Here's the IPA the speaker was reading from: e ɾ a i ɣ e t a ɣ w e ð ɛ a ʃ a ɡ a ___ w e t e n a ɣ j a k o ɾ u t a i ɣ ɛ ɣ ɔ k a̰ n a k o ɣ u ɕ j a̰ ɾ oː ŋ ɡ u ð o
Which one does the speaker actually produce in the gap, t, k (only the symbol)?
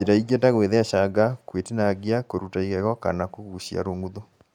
k